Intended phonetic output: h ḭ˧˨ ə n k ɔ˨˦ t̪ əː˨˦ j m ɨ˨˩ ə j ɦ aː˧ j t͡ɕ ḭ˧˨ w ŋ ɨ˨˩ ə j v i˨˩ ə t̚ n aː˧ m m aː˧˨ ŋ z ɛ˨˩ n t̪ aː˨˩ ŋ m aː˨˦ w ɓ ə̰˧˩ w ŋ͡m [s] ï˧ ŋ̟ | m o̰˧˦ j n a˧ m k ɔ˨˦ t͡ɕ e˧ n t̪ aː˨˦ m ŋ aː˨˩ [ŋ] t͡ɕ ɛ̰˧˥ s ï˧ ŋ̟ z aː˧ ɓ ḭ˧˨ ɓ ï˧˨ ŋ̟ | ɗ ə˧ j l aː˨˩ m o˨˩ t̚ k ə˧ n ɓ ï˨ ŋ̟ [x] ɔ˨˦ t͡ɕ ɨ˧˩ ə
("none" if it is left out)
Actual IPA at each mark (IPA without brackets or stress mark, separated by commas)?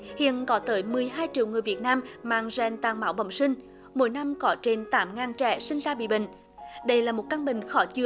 s, n, x